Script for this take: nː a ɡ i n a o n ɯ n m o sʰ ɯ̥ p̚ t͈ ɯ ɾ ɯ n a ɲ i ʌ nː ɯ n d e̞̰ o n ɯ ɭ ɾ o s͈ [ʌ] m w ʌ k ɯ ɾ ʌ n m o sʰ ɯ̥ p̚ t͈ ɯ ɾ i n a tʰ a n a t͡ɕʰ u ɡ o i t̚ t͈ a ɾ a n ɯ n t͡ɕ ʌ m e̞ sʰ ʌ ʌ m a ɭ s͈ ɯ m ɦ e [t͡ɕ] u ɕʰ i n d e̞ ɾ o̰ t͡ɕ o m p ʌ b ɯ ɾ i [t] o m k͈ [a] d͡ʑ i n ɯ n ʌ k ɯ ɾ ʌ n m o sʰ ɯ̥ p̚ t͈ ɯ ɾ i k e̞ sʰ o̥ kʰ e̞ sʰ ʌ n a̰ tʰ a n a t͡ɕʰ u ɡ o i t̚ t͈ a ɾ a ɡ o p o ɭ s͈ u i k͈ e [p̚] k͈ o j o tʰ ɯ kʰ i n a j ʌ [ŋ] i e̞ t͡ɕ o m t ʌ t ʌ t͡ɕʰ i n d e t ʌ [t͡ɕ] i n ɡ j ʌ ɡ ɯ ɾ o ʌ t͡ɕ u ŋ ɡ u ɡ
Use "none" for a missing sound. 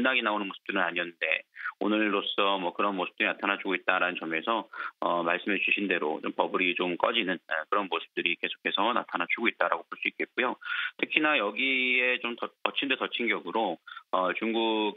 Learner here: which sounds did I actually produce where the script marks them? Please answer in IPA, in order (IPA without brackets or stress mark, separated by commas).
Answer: ʌ, t͡ɕ, t͡ɕ, ʌ, t̚, ɡ, t͡ɕʰ